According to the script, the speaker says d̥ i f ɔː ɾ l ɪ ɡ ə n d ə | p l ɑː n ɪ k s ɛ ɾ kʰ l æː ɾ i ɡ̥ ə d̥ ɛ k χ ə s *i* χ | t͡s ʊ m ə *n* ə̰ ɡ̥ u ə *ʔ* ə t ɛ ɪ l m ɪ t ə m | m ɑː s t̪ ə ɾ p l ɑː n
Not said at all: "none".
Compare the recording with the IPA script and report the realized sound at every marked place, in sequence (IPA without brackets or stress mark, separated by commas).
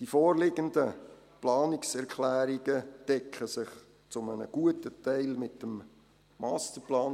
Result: ɪ, n, t